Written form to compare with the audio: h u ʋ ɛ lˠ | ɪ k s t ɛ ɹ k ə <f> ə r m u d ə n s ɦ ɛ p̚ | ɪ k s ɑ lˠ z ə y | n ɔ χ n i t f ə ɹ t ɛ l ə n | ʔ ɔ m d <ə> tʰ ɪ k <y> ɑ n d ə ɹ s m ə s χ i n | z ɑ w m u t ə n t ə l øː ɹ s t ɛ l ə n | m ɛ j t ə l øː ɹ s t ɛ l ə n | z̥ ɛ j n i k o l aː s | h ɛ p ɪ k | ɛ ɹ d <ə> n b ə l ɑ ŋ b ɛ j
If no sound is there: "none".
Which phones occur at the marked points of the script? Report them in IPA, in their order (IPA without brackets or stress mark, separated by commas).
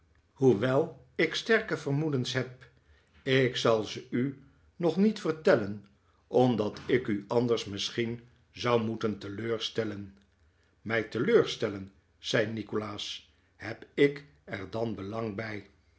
v, ɑ, y, ɑ